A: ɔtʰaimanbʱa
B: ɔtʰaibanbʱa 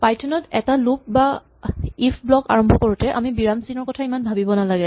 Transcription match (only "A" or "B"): A